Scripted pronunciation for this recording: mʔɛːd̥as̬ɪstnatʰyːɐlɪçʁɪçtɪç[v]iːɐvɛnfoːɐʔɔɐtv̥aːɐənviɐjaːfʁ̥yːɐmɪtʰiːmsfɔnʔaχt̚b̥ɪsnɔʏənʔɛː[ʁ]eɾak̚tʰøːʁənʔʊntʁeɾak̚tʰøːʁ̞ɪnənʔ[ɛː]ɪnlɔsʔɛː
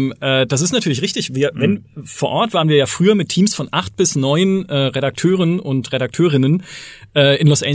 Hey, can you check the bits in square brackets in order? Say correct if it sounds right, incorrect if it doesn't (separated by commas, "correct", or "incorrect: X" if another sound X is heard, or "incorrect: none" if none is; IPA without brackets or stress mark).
correct, correct, correct